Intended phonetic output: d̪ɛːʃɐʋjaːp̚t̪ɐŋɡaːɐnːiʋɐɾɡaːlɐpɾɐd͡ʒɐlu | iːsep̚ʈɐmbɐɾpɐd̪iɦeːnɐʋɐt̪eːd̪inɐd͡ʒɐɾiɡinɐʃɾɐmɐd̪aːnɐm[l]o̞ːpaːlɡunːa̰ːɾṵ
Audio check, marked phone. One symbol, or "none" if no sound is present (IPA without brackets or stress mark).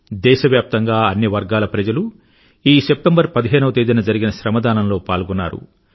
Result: l